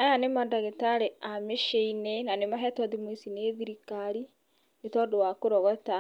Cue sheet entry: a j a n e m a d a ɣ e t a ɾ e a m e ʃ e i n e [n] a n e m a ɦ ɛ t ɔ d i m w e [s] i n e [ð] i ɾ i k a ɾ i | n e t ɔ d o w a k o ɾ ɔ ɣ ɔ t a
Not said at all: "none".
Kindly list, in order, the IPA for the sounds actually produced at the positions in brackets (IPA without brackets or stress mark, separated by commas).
n, s, ð